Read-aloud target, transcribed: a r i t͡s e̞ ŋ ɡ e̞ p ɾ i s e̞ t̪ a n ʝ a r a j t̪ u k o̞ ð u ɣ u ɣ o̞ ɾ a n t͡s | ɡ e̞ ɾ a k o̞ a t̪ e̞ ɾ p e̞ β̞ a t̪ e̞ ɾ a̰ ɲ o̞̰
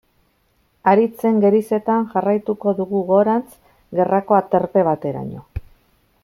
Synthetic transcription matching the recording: a ɾ i t͡s e̞ ŋ ɡ e̞ ɾ i s e̞ t̪ a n ʝ a r a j t̪ u k o̞ ð u ɣ u ɣ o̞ ɾ a n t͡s | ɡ e̞ r a k o̞ a t̪ e̞ ɾ p e̞ β̞ a t̪ e̞ ɾ a̰ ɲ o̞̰